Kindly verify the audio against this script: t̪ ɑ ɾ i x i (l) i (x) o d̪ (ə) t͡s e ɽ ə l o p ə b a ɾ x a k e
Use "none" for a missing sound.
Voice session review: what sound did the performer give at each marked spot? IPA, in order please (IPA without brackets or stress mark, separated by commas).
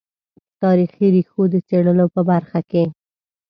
ɾ, x, ə